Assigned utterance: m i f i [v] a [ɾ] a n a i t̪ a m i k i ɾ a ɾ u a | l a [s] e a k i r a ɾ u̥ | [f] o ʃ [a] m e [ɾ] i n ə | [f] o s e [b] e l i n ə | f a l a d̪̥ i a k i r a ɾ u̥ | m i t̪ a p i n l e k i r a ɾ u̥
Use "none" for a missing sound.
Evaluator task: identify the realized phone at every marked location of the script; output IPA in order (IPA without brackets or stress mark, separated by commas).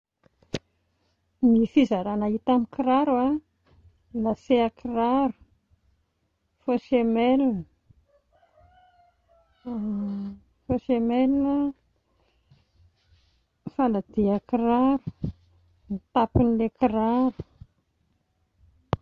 z, ɾ, s, f, e, l, f, m